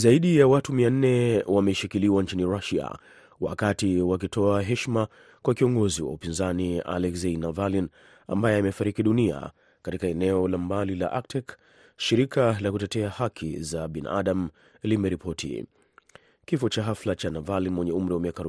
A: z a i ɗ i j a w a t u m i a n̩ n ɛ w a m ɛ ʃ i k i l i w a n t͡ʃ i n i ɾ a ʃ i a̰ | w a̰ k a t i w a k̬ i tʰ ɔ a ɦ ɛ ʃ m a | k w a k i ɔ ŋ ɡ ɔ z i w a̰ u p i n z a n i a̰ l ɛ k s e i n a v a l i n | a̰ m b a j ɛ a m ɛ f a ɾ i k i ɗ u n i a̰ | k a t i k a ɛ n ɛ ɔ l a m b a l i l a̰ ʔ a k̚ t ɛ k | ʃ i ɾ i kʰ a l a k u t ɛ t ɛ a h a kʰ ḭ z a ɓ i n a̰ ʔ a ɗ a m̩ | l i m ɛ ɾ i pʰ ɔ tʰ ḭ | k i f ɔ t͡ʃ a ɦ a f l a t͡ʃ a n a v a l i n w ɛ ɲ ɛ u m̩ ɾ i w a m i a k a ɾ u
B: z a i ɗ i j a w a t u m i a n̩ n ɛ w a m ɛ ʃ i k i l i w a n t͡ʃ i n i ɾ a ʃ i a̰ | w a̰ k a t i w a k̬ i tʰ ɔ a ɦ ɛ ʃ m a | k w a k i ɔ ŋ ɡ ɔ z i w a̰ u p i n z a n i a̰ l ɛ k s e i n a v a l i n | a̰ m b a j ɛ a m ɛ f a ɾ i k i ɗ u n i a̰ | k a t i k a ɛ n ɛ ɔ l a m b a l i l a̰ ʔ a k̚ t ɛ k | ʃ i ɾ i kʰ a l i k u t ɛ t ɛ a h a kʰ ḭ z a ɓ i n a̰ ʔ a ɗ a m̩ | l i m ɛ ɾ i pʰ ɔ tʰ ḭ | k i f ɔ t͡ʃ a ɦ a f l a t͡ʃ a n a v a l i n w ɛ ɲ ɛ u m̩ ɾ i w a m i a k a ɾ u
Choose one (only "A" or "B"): A